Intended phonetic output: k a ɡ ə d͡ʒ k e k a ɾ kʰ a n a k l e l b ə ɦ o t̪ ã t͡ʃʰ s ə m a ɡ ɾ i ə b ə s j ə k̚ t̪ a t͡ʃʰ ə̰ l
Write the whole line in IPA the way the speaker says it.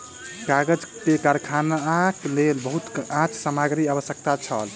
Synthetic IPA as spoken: k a ɡ ə d͡ʒ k e k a ɾ kʰ a n a k l e l b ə ɦ u t̪ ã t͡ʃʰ s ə m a ɡ ɾ i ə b ə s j ə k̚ t̪ a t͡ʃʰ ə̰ l